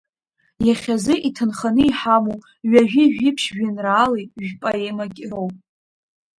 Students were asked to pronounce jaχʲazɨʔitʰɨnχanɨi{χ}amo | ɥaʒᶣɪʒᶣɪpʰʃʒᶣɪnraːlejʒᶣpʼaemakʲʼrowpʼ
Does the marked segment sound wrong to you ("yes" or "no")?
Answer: yes